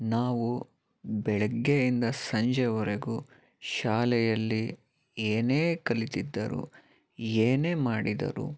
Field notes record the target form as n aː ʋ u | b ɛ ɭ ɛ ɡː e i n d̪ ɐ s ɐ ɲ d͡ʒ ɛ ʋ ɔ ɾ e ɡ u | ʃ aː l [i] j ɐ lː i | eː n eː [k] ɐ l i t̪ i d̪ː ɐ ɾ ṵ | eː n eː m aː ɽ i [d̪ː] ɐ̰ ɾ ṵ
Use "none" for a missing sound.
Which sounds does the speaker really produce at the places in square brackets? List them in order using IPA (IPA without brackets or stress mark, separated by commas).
ɛ, k, d̪